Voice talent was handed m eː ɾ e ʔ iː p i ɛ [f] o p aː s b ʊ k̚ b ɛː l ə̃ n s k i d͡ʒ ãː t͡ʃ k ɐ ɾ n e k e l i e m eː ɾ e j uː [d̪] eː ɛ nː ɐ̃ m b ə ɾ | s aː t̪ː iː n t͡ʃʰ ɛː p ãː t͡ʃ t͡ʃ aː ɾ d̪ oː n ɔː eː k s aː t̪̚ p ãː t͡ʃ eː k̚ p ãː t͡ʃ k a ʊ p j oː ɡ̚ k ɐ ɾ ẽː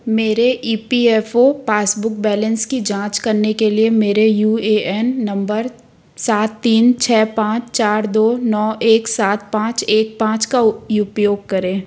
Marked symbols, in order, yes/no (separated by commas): yes, no